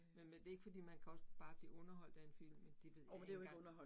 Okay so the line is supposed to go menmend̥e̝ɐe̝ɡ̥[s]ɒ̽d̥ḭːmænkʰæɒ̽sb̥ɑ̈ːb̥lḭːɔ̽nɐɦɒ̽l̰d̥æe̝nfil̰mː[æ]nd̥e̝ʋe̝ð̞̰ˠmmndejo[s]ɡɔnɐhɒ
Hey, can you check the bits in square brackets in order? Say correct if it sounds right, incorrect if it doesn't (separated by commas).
incorrect, incorrect, incorrect